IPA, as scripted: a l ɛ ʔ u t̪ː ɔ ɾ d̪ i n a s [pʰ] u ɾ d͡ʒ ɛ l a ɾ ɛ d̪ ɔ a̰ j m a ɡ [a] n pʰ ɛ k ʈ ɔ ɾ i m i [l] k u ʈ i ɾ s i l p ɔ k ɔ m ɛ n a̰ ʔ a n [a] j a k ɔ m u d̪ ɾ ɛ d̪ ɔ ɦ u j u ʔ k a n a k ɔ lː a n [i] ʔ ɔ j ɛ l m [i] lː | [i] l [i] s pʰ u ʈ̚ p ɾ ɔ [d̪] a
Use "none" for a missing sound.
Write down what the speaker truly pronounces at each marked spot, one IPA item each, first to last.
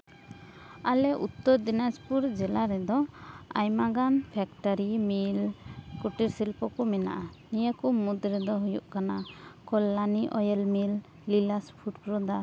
p, a, l, i, i, i, i, a, d̪

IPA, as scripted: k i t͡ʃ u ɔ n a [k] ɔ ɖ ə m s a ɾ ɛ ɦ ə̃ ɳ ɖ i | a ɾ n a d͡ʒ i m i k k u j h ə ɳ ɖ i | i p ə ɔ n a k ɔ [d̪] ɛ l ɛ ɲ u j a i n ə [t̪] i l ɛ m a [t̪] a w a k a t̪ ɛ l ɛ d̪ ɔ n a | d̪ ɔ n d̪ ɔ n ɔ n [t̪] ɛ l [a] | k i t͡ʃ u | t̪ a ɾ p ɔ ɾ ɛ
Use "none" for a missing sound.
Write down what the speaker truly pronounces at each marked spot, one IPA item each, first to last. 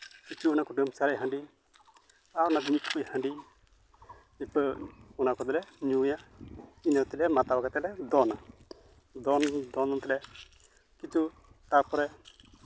k, d̪, t̪, t̪, t̪, ɛ

